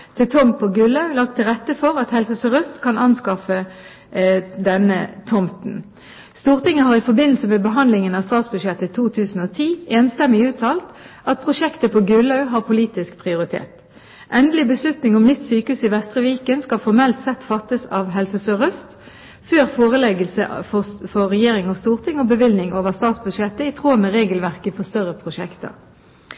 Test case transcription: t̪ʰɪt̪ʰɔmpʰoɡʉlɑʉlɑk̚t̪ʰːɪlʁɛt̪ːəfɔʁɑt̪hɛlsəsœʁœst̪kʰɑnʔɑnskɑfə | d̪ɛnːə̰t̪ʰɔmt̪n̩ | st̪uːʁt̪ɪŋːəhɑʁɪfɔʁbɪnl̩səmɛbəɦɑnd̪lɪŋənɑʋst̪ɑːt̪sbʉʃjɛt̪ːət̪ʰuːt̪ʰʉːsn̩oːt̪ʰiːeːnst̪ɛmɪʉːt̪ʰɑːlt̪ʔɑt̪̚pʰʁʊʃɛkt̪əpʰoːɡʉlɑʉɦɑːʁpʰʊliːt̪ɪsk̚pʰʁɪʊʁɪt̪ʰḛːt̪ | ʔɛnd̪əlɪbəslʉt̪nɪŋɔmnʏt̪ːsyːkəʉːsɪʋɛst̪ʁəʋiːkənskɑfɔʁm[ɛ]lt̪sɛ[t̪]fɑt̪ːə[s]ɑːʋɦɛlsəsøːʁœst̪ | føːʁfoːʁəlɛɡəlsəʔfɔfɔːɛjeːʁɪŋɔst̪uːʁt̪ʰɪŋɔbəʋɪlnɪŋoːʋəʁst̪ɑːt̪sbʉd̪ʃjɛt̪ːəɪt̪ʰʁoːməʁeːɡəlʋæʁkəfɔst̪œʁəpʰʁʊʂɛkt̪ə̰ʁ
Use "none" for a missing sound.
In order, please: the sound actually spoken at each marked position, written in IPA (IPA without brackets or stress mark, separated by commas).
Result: ɛ, t̪, s